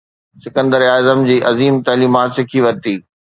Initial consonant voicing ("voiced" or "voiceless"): voiceless